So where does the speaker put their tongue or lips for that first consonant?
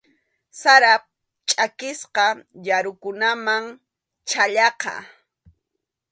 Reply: tongue tip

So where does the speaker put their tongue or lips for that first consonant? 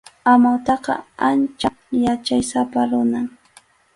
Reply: lips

